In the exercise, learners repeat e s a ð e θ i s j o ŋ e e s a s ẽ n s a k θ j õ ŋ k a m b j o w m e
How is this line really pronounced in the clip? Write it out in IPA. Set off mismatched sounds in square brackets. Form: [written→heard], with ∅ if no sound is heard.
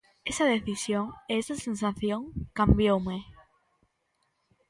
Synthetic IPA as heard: e s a ð e θ i s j o ŋ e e s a s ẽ n s a [k→∅] θ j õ ŋ k a m b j o w m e